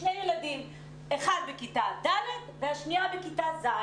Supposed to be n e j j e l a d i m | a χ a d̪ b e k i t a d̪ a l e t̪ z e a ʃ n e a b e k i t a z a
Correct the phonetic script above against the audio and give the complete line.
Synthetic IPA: n e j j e l a d i m | e χ a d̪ b e k i t a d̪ a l e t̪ v e a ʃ n i a b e k i t a z a